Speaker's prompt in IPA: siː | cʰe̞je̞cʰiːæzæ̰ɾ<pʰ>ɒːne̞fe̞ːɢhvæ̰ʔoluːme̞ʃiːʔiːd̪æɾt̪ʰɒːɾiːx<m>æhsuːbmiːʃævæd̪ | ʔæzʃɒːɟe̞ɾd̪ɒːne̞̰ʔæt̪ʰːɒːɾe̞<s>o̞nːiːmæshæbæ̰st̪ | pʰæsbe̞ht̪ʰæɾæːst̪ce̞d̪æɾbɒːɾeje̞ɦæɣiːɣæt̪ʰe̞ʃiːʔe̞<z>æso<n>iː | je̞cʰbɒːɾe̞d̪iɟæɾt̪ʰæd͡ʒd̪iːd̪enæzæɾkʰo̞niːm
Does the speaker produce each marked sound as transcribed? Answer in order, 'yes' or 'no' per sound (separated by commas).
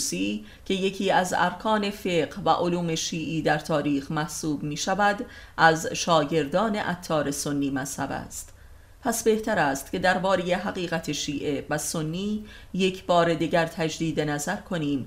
no, yes, yes, no, no